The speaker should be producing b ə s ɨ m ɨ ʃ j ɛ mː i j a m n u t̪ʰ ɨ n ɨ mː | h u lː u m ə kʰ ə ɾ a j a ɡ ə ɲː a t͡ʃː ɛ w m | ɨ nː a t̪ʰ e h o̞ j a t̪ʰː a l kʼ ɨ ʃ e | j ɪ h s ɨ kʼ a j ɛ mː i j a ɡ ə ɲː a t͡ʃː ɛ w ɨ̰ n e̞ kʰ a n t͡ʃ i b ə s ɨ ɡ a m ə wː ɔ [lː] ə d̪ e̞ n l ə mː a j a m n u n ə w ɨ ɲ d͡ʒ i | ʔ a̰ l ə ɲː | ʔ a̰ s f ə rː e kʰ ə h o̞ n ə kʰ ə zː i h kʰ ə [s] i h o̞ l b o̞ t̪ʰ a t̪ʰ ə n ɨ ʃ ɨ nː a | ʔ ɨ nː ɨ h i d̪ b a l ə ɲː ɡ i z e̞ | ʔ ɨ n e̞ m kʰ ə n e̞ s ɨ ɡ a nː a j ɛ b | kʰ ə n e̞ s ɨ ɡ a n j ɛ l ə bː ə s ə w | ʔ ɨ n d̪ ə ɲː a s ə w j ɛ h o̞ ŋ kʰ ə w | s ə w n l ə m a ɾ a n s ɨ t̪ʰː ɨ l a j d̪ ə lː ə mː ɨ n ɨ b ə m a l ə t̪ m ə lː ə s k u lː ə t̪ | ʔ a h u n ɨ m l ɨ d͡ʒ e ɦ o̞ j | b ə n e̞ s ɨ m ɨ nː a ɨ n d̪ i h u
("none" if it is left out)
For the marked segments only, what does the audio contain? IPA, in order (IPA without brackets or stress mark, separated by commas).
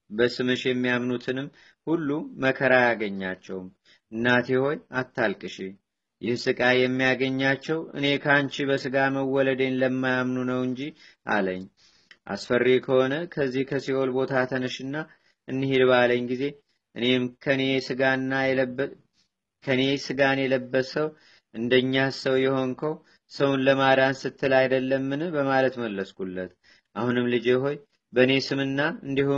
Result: l, s